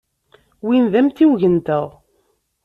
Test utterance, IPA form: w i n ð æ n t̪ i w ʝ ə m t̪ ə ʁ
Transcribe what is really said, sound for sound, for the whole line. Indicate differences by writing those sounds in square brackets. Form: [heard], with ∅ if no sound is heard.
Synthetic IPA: w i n ð æ [m] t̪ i w ʝ ə [n] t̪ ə ʁ